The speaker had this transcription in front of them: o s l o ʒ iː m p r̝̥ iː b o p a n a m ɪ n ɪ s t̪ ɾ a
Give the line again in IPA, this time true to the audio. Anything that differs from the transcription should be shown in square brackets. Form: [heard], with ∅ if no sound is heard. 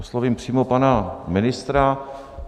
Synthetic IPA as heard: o s l o [v] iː m p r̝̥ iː [m] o p a n a m ɪ n ɪ s t̪ ɾ a